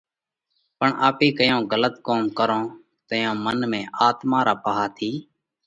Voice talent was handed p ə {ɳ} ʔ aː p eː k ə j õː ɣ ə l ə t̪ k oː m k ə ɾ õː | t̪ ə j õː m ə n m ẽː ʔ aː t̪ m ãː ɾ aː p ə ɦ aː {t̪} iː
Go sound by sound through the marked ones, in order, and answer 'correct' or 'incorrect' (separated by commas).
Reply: correct, incorrect